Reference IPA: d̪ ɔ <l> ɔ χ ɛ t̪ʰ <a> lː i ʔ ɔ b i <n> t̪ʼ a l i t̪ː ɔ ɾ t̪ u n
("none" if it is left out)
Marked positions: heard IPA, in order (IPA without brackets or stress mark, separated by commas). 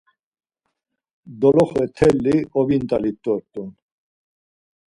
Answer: l, ɛ, n